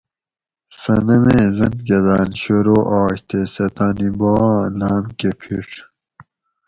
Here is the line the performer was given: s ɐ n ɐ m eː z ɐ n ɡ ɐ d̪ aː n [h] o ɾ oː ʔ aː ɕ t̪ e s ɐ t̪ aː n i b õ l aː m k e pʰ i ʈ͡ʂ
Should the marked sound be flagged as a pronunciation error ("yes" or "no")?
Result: yes